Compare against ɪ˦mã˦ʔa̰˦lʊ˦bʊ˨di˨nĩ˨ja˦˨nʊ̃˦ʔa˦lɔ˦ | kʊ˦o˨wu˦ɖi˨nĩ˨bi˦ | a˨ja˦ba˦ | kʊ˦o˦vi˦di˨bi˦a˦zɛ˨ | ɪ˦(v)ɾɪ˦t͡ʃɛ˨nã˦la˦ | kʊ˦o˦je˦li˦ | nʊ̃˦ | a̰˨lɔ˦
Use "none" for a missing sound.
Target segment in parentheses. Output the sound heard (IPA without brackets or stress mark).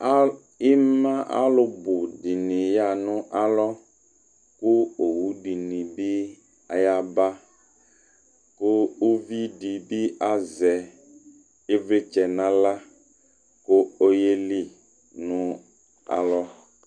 v